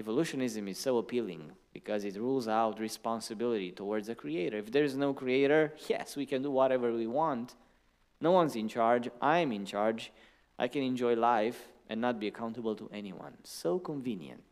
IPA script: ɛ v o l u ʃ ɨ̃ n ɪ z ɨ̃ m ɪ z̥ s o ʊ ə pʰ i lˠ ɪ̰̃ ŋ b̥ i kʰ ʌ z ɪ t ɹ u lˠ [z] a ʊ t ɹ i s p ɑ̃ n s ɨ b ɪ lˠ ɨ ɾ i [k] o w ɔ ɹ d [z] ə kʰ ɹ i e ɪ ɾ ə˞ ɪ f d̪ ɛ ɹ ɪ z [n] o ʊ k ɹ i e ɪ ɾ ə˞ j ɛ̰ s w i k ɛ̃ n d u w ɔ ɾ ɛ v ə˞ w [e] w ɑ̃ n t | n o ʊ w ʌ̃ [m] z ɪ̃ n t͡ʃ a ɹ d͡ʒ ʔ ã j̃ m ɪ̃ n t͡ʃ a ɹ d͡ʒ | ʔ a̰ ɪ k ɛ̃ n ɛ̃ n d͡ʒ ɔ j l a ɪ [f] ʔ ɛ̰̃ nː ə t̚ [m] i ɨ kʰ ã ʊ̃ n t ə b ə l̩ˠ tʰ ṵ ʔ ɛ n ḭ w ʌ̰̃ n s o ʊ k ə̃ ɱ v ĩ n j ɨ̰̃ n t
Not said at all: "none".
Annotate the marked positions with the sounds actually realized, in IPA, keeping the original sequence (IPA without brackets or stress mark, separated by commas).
z, t, z, n, i, n, f, b